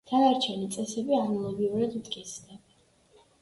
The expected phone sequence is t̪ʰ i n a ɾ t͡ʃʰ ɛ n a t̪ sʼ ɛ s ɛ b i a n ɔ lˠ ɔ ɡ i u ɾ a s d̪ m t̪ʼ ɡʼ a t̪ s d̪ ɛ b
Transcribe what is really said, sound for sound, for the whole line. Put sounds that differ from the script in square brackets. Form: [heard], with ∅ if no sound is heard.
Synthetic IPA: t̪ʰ [a] n a ɾ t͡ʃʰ ɛ n [i] t̪ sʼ ɛ s ɛ b i a n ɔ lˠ ɔ ɡ i u ɾ a [∅] d̪ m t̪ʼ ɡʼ [i] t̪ s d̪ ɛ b